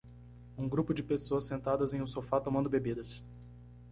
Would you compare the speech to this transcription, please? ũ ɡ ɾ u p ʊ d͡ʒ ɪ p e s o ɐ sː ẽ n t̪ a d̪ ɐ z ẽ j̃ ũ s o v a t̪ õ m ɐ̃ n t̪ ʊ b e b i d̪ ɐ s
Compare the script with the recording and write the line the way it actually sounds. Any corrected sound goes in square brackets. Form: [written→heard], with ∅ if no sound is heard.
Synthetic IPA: ũ ɡ ɾ u p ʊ d͡ʒ ɪ p e s o ɐ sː ẽ n t̪ a d̪ ɐ z ẽ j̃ ũ s o [v→f] a t̪ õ m ɐ̃ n [t̪→d̪] ʊ b e b i d̪ ɐ s